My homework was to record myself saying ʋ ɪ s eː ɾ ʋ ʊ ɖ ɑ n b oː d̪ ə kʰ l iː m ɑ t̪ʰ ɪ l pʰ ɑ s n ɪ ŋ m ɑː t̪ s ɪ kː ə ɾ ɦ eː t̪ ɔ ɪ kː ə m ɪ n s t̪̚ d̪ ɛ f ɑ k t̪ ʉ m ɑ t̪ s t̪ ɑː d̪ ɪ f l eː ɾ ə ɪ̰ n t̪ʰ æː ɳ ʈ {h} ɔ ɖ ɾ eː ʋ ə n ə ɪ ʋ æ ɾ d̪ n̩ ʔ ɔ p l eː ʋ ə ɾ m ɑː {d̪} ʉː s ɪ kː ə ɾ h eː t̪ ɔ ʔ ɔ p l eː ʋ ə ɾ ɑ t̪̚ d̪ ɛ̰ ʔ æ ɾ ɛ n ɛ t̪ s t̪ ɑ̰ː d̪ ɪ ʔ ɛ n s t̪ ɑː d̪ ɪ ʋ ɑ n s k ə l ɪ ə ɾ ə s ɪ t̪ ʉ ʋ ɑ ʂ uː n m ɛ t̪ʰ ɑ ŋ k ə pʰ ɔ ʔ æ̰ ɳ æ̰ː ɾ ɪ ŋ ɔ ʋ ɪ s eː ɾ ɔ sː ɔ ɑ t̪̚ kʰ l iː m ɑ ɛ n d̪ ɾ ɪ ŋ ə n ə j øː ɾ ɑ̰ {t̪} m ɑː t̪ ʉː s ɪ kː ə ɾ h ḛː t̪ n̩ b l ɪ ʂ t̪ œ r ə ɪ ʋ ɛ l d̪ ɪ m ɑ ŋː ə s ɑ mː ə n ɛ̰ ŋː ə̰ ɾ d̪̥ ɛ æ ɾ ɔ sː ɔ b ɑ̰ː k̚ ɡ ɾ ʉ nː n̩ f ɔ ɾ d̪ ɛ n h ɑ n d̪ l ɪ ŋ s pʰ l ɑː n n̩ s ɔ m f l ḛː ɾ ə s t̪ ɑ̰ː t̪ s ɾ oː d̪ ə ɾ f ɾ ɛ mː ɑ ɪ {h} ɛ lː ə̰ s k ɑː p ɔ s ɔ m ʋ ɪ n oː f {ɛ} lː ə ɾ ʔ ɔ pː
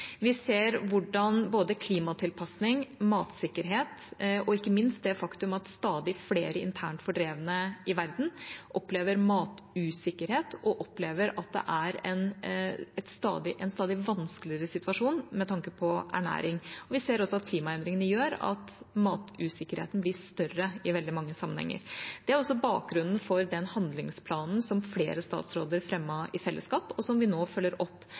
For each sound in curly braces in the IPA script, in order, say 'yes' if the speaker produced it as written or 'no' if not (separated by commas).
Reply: no, no, yes, no, no